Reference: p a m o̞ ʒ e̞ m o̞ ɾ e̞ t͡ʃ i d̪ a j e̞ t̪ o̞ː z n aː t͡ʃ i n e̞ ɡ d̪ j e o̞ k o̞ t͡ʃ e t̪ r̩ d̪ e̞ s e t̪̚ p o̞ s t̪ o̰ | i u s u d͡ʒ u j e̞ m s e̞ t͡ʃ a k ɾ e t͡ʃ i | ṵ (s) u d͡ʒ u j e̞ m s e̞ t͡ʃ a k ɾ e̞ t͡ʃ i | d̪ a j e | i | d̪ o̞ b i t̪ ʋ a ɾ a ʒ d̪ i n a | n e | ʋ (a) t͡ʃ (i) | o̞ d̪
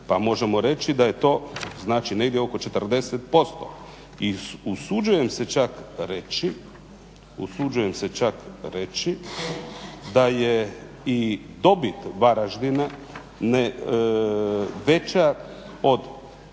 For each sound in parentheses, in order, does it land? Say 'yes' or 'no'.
yes, no, no

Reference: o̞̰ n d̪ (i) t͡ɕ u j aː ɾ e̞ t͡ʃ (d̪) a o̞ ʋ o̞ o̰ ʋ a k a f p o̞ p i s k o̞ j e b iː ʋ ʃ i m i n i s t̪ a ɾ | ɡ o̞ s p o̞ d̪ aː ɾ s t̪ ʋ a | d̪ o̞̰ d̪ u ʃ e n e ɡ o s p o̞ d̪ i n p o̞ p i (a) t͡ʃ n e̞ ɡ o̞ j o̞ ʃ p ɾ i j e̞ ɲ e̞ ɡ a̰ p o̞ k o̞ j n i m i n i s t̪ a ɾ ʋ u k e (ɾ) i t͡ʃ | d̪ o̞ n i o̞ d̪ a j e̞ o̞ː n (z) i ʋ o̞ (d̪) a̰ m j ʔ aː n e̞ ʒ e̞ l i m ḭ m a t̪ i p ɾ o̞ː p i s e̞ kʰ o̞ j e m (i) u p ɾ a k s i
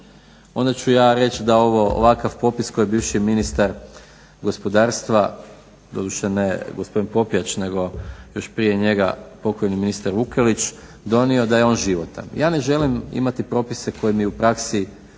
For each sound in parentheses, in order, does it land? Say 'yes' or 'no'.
no, yes, yes, no, no, no, yes

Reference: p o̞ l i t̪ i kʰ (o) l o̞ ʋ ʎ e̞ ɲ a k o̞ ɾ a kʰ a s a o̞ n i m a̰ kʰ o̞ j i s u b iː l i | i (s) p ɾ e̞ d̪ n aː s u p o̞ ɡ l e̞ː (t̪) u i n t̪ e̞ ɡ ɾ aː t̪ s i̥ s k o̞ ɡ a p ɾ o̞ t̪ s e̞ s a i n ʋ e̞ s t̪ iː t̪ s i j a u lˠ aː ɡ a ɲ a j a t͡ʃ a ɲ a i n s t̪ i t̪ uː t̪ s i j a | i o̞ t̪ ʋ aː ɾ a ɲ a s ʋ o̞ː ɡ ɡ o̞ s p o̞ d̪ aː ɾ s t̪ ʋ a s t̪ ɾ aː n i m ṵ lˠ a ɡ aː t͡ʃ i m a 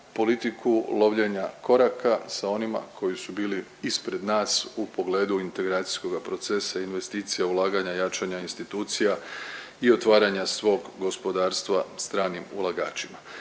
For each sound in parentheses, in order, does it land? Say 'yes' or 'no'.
no, yes, no

